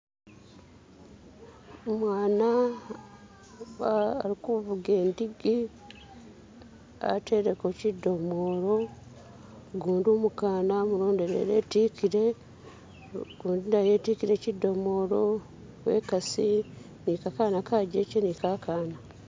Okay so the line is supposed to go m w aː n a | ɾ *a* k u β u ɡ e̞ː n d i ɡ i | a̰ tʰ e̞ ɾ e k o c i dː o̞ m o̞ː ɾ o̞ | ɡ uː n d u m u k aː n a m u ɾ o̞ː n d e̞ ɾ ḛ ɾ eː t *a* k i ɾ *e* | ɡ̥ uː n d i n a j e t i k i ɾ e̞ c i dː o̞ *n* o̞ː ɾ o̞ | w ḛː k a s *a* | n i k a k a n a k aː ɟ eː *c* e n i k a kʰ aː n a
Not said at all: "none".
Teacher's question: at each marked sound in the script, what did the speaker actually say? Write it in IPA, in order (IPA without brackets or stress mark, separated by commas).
i, i, e, m, i, c